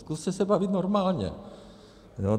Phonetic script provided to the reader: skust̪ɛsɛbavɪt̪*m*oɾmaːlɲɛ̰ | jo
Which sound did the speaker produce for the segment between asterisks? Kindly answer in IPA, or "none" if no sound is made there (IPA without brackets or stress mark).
n